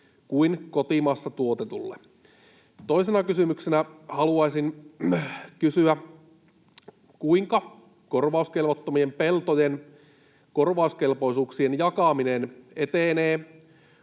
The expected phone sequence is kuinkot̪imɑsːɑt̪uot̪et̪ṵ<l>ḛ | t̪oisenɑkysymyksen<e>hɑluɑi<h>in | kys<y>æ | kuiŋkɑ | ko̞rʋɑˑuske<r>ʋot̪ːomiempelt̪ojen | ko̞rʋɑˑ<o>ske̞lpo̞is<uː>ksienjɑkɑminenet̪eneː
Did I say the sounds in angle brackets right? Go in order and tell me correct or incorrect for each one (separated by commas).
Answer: incorrect, incorrect, incorrect, correct, incorrect, incorrect, correct